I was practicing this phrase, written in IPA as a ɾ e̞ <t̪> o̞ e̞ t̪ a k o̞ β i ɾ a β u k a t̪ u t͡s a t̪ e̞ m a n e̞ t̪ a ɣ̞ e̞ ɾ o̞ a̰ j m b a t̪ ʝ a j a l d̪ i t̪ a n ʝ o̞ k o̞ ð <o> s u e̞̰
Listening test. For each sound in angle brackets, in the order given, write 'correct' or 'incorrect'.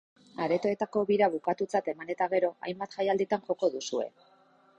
correct, incorrect: u

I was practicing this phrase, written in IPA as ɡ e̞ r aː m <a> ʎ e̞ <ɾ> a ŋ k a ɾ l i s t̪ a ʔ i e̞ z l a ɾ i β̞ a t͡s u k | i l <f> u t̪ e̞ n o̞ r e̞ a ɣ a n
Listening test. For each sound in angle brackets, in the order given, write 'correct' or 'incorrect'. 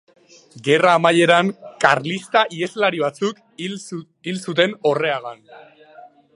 correct, correct, incorrect: s

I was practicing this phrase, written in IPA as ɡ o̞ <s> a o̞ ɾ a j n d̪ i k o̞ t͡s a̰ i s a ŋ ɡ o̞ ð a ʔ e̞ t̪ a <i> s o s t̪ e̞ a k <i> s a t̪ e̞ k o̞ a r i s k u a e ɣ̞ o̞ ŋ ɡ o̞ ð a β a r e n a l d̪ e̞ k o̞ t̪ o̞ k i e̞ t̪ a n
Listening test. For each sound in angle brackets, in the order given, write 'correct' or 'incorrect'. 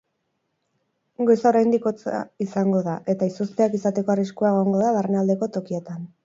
correct, correct, correct

